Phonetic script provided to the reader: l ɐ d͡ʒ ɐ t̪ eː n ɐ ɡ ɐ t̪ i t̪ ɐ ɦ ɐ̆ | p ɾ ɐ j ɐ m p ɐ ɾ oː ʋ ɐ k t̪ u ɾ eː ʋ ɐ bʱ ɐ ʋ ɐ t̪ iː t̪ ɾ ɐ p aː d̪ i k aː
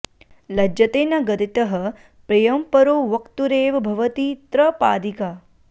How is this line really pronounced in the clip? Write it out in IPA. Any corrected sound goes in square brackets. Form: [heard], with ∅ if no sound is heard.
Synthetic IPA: l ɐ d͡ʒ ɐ t̪ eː n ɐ ɡ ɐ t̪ i t̪ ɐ ɦ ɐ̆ | p ɾ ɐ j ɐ m p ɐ ɾ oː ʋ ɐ k t̪ u ɾ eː ʋ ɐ bʱ ɐ ʋ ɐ t̪ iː t̪ ɾ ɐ p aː d̪ i k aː